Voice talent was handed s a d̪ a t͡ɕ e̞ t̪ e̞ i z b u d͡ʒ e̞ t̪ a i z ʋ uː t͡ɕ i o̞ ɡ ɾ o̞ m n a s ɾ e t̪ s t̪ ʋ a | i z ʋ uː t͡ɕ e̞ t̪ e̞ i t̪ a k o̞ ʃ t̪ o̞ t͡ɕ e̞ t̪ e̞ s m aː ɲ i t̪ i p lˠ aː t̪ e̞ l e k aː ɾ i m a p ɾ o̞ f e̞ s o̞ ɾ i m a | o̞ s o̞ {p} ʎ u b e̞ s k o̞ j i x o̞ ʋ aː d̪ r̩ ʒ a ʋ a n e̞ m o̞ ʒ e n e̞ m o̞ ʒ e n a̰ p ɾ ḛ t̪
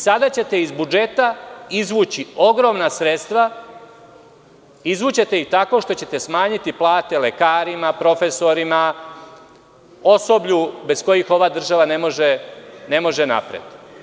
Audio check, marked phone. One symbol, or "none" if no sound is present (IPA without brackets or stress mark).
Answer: b